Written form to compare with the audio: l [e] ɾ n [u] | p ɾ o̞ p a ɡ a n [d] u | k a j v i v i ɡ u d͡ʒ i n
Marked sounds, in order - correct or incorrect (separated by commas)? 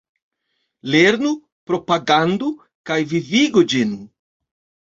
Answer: correct, correct, correct